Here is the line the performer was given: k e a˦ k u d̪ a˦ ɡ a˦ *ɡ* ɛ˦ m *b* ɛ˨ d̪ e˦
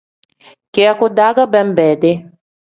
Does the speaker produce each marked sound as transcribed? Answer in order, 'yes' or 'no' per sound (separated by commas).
no, yes